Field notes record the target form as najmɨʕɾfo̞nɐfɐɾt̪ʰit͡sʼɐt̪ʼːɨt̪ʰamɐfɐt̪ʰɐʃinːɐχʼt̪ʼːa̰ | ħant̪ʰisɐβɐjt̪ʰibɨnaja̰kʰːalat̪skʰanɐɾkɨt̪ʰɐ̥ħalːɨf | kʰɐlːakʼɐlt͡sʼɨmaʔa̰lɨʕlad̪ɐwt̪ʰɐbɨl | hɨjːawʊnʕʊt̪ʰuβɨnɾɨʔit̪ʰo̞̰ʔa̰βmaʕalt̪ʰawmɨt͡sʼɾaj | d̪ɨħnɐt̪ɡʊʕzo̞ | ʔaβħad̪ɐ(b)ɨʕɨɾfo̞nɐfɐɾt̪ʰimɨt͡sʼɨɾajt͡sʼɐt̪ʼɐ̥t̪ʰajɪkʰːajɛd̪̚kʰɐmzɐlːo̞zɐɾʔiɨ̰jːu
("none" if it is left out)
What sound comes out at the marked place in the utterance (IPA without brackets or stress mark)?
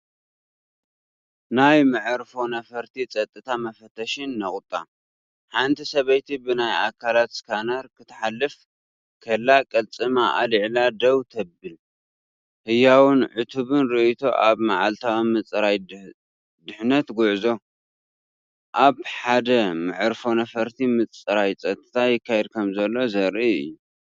m